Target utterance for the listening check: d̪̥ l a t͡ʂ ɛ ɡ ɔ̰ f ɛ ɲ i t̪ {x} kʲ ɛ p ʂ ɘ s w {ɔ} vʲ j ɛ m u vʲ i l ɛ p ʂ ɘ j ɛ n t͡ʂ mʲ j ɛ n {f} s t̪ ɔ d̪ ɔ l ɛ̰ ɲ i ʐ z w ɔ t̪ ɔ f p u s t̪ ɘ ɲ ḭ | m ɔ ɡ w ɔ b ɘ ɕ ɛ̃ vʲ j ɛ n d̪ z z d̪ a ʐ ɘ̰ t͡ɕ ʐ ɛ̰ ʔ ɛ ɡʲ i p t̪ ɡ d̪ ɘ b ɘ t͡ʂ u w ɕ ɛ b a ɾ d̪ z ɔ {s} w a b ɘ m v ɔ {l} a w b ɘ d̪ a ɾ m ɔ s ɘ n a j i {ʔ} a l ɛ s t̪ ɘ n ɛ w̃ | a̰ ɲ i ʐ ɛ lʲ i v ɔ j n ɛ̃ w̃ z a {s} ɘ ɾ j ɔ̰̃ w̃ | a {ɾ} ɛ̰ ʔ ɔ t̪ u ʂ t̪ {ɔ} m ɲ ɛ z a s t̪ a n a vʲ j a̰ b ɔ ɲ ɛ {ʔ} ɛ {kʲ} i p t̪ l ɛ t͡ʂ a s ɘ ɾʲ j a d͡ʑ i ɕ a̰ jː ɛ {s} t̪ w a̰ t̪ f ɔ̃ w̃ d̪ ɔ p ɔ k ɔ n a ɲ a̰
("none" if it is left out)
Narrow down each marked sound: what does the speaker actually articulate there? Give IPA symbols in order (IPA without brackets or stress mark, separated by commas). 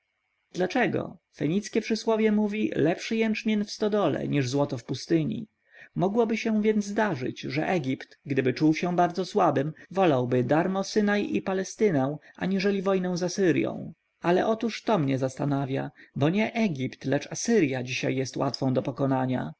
s, ɔ, f, s, l, p, s, l, ɔ, ʔ, ɡʲ, s